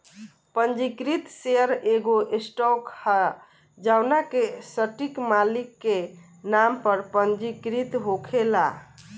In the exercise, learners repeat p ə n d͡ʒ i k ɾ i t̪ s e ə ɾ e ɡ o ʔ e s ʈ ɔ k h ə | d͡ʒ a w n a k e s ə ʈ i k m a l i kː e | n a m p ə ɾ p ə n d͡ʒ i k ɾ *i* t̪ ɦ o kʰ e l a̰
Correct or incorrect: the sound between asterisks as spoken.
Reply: correct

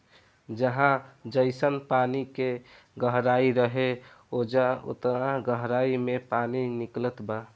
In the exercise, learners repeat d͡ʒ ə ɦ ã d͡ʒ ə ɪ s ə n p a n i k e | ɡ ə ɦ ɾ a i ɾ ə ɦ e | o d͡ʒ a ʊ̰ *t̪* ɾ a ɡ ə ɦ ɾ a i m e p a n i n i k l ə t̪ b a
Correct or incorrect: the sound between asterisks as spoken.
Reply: correct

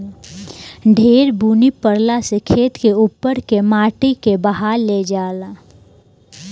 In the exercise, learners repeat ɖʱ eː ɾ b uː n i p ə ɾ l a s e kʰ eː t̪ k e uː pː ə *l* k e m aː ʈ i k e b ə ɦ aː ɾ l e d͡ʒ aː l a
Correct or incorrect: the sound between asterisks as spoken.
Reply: incorrect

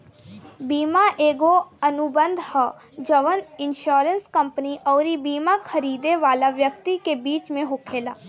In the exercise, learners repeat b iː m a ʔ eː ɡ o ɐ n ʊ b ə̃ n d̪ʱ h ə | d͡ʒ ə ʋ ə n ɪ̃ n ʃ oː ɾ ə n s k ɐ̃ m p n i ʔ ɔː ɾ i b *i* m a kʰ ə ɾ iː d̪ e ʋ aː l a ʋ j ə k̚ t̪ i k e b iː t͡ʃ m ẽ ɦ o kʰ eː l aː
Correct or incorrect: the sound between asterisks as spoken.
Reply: incorrect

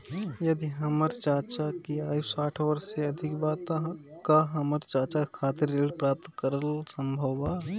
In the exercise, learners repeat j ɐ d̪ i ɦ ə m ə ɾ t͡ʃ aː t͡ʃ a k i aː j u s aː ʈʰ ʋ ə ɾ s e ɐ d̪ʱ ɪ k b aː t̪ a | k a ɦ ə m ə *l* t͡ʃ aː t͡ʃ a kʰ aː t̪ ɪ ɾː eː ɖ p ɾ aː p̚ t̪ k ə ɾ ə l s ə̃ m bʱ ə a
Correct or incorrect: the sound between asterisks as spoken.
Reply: incorrect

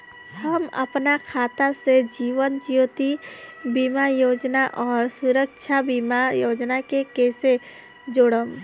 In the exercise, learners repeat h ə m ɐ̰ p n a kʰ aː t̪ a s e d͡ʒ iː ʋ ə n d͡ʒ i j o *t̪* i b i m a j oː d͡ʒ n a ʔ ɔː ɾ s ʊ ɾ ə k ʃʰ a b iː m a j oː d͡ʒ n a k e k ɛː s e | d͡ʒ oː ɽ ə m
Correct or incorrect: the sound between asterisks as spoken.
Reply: correct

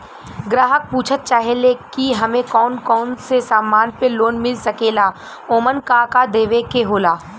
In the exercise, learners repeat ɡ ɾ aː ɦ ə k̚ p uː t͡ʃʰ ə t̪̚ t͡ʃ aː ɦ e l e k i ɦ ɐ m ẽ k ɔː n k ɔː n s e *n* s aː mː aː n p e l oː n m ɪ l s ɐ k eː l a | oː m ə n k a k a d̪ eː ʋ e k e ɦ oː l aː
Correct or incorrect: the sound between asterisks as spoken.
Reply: incorrect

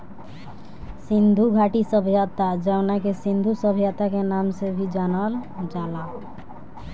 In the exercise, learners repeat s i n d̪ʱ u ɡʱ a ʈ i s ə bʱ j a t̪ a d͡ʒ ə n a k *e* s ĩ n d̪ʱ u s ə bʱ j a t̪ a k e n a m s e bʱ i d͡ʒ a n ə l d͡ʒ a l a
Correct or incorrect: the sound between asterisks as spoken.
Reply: correct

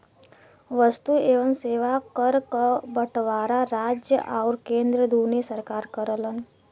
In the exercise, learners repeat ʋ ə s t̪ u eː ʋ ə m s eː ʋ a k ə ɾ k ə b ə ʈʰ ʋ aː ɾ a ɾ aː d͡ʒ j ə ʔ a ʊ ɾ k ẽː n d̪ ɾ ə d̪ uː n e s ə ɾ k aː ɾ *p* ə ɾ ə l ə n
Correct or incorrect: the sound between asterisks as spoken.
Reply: incorrect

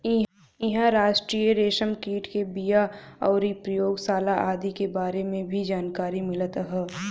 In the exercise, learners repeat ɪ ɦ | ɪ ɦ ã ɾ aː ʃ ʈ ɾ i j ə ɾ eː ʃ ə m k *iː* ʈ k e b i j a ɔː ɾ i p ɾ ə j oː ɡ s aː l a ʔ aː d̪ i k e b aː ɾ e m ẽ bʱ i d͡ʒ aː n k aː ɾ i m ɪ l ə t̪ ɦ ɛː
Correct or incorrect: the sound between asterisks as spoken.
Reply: correct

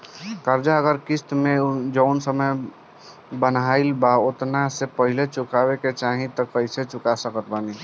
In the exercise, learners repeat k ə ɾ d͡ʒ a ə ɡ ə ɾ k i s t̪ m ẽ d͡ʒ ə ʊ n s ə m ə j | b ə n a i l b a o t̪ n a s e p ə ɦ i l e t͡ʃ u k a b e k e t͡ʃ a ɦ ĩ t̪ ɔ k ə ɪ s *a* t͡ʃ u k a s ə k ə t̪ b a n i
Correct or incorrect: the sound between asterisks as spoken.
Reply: incorrect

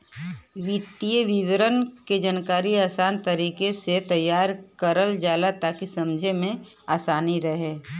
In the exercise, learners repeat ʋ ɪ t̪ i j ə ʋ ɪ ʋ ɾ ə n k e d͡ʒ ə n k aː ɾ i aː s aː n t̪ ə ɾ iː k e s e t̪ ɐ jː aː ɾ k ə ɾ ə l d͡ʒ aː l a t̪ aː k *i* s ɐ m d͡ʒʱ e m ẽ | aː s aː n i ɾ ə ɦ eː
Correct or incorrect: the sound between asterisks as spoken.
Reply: correct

